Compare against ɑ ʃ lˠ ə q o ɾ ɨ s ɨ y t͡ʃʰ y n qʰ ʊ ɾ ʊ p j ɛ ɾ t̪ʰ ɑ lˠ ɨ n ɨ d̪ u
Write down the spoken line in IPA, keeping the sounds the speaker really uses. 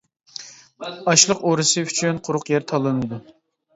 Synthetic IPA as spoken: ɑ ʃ lˠ ə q o ɾ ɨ s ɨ y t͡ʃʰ y n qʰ ʊ ɾ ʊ q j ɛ ɾ t̪ʰ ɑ lˠ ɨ n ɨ d̪ u